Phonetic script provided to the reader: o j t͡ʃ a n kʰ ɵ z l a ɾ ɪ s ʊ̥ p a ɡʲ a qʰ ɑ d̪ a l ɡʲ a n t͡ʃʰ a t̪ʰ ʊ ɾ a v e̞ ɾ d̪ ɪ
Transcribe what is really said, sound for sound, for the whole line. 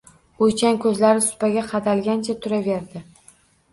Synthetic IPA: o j t͡ʃ a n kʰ ɵ z l a ɾ ɪ s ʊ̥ p a ɡʲ a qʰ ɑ d̪ a l ɡʲ a n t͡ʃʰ a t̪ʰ ʊ ɾ a v e̞ ɾ d̪ ɪ